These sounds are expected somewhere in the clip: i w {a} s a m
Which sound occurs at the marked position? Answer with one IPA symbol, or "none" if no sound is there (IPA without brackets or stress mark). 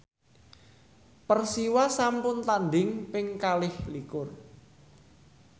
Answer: a